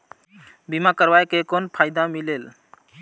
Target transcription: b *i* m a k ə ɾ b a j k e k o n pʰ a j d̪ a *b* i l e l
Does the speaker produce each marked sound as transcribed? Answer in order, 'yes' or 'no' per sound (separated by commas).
yes, no